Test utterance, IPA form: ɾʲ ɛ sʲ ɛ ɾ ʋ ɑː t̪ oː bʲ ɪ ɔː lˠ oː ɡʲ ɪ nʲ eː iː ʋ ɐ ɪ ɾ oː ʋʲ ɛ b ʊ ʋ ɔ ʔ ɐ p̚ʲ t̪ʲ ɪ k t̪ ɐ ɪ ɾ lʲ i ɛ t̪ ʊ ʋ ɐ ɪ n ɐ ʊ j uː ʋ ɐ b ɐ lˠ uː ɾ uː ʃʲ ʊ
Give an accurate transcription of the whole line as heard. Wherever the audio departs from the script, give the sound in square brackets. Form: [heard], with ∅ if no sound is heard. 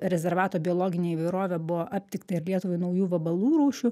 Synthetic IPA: ɾʲ ɛ [zʲ] ɛ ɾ ʋ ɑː t̪ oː bʲ ɪ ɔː lˠ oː ɡʲ ɪ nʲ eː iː ʋ ɐ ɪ ɾ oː ʋʲ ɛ b ʊ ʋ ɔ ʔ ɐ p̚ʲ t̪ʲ ɪ k t̪ ɐ ɪ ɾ lʲ i ɛ t̪ ʊ ʋ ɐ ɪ n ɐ ʊ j uː ʋ ɐ b ɐ lˠ uː ɾ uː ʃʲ ʊ